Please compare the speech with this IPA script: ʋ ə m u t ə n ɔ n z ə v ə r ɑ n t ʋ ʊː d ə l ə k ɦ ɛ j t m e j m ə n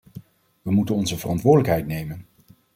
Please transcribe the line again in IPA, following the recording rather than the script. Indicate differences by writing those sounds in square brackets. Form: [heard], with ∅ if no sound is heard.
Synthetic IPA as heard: ʋ ə m u t ə n ɔ n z ə v ə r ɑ n t ʋ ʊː d ə l ə k ɦ ɛ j t [n] e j m ə n